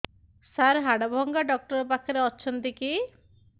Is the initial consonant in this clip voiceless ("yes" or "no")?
yes